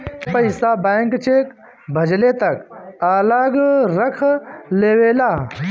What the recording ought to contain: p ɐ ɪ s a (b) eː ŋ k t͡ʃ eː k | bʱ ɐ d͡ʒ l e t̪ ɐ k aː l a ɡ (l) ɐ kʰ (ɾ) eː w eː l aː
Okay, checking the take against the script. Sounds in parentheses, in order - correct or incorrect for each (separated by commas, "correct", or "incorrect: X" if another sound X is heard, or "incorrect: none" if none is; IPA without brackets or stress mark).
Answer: correct, incorrect: ɾ, incorrect: l